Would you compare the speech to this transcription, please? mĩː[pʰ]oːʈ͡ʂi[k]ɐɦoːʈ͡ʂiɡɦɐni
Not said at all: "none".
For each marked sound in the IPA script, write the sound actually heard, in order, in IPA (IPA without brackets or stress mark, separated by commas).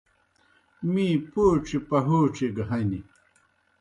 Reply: p, p